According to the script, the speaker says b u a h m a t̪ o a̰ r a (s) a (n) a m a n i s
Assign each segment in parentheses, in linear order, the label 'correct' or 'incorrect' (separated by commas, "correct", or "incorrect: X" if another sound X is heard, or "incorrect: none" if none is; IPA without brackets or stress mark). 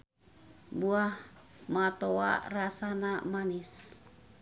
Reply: correct, correct